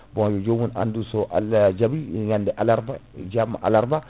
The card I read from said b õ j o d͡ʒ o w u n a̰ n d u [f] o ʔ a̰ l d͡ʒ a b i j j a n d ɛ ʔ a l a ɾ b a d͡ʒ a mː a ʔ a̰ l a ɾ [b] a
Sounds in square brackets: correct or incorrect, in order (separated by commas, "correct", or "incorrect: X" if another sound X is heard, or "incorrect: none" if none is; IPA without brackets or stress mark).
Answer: incorrect: s, correct